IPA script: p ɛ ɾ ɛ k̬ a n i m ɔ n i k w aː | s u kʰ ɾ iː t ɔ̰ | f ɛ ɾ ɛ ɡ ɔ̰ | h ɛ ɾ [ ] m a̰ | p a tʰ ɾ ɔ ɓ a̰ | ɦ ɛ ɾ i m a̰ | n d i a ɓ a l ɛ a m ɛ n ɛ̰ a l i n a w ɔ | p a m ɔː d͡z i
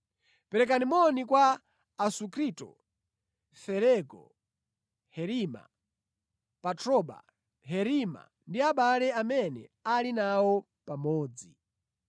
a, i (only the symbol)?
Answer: i